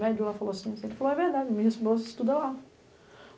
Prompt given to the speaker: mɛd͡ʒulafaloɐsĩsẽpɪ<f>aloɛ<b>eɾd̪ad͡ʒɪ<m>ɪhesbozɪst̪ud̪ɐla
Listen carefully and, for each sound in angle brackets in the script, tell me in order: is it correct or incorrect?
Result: correct, incorrect, correct

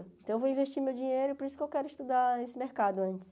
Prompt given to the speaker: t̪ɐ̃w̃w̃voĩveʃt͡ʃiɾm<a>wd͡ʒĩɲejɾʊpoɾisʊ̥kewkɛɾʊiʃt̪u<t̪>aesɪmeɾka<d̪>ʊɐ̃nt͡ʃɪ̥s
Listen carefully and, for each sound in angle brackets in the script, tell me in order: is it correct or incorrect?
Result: incorrect, incorrect, correct

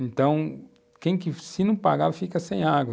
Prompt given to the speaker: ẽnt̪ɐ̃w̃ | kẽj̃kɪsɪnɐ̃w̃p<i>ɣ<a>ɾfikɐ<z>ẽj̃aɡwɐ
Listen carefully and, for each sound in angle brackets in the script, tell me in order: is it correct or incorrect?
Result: incorrect, correct, incorrect

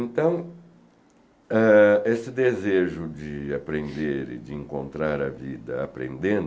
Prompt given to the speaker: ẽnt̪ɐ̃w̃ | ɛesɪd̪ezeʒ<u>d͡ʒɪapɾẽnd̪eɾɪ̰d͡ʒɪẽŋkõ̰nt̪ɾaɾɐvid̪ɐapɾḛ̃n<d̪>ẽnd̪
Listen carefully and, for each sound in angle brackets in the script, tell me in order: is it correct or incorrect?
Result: incorrect, correct

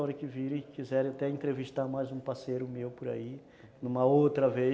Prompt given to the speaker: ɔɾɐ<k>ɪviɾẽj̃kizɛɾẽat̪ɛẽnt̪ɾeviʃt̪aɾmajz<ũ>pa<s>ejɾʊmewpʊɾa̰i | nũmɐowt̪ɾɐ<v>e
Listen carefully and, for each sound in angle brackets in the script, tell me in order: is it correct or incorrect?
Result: correct, correct, correct, correct

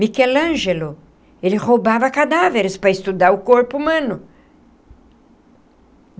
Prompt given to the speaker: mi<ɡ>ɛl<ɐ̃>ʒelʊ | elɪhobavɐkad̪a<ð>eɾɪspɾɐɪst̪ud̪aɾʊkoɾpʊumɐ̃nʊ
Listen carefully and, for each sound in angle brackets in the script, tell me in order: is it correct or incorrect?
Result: incorrect, correct, incorrect

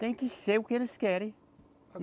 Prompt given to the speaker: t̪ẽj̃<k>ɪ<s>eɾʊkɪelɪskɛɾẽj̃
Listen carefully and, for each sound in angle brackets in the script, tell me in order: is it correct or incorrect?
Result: correct, correct

